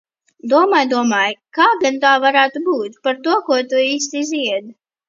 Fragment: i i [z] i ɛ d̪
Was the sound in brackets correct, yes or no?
yes